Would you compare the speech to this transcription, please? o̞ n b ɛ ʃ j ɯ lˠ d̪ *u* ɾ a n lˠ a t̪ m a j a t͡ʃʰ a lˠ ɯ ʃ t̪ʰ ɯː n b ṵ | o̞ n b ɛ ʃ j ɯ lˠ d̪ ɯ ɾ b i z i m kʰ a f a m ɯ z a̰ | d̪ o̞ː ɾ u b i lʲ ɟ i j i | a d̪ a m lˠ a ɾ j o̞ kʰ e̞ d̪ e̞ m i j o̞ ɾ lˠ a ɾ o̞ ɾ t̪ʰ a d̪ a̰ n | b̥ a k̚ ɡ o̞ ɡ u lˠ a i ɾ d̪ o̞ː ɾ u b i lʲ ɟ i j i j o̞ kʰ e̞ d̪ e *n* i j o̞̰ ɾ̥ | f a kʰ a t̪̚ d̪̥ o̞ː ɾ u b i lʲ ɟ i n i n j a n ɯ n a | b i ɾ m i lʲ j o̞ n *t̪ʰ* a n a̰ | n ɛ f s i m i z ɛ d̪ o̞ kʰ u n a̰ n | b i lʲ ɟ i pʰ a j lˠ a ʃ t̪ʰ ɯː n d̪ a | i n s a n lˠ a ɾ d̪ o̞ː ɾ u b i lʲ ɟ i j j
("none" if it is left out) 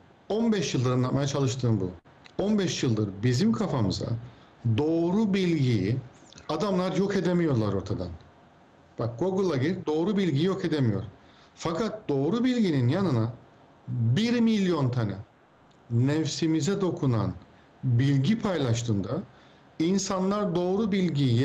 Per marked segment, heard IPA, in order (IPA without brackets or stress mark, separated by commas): ɯ, m, t̪ʰ